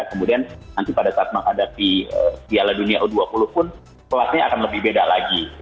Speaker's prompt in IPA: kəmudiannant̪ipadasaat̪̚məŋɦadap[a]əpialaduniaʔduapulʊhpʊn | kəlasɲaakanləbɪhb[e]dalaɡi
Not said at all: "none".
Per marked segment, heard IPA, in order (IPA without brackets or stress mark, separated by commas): i, e